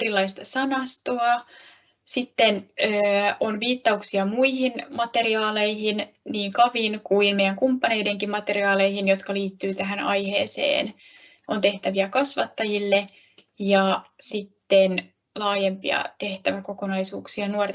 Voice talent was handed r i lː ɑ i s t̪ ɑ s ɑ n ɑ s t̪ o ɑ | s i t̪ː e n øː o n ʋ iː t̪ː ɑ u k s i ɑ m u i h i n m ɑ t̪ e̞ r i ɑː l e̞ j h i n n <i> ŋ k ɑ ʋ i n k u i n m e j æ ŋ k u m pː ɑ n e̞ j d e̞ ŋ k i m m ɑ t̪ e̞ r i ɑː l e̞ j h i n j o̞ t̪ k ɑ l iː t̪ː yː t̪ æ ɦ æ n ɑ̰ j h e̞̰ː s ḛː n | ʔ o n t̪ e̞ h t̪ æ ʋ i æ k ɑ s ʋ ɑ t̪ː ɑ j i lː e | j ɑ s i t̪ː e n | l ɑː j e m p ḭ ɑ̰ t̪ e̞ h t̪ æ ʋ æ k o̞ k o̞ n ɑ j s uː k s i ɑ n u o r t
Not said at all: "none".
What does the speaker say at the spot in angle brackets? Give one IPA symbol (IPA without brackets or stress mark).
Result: iː